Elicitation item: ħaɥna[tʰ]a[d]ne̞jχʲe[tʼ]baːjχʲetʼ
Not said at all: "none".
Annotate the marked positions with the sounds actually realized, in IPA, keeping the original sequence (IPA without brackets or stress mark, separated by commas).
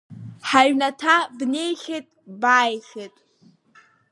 tʰ, b, tʼ